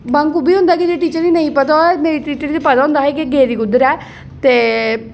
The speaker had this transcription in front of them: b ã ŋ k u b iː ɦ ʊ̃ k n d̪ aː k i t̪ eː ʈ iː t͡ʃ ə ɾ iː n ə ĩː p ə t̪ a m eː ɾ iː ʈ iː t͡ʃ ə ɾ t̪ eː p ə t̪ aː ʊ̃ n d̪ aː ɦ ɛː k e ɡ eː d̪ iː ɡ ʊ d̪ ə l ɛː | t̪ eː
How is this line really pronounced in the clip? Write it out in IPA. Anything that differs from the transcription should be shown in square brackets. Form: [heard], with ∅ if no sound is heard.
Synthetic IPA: b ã ŋ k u b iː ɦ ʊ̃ [∅] n d̪ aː k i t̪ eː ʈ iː t͡ʃ ə ɾ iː n ə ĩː p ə t̪ a m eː ɾ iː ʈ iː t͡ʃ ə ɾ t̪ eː p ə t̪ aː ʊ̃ n d̪ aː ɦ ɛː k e ɡ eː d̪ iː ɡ ʊ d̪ ə [ɾ] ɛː | t̪ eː